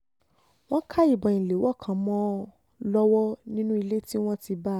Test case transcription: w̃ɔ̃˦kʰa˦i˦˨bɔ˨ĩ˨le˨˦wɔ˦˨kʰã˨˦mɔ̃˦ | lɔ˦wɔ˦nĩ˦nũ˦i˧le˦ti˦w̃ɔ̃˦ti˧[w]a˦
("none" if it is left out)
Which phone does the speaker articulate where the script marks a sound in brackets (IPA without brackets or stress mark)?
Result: b